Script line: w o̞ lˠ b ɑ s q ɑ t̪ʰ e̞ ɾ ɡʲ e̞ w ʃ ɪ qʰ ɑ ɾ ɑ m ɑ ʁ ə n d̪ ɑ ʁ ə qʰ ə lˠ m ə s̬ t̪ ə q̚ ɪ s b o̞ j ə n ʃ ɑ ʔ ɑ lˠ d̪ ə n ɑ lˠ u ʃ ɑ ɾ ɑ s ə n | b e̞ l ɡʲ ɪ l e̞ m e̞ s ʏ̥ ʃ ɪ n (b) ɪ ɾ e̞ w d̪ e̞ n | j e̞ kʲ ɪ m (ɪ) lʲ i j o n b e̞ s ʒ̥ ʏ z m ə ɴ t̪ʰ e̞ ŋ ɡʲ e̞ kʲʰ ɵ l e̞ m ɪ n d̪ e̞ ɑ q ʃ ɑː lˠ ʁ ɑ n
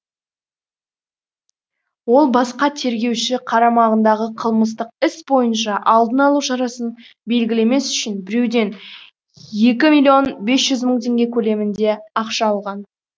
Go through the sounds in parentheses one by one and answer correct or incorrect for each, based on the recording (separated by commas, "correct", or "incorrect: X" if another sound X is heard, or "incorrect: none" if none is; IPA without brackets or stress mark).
correct, incorrect: i